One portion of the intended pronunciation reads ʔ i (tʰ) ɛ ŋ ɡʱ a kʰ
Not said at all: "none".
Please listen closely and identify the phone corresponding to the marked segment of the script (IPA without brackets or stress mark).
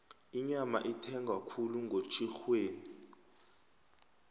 tʰ